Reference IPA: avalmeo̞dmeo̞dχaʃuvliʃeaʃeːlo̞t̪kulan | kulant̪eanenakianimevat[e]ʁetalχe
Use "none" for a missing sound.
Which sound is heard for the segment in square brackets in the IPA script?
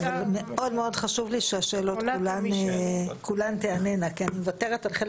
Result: e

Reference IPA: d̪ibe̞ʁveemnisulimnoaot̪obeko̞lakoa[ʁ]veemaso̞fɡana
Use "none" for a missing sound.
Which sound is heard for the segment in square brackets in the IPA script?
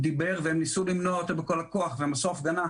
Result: χ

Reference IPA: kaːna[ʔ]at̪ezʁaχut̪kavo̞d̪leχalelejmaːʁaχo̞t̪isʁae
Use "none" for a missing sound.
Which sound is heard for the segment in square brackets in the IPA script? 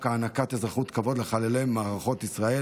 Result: k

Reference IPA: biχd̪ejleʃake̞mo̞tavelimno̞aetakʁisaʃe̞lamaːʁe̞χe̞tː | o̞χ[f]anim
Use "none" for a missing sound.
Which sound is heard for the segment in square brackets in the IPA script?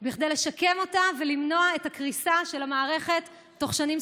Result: ʃ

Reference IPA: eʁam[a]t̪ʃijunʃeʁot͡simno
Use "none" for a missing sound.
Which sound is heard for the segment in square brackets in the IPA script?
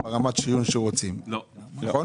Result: a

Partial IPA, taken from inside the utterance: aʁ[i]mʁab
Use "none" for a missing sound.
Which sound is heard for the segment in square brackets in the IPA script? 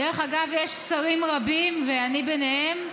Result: i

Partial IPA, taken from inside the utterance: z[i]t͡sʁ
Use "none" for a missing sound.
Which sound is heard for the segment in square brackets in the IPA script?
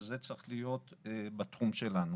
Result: e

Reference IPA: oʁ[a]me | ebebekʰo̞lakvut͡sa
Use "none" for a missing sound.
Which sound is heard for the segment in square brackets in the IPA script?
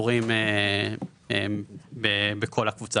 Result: i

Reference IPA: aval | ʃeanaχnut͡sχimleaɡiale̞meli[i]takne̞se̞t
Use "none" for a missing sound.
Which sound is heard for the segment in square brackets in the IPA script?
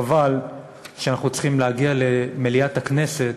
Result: a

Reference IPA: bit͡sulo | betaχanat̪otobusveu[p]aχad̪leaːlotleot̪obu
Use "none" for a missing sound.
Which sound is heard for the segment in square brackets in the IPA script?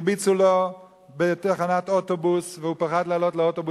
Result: p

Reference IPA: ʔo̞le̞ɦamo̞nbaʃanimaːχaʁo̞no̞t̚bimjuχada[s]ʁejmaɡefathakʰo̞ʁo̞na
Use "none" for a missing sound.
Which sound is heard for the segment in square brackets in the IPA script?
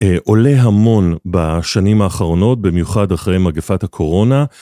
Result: χ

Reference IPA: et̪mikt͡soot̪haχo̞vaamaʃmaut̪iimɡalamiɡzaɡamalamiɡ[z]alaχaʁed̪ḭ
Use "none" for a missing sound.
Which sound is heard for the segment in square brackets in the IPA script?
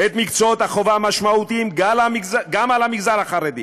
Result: z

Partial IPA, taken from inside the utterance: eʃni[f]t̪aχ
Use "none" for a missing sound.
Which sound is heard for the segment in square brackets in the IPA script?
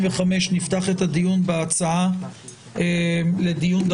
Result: f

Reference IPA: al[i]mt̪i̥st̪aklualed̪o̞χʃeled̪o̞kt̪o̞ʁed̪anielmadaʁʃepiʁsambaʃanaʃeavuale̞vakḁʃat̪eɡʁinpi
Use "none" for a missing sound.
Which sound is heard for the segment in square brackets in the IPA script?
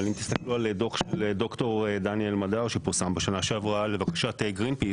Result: i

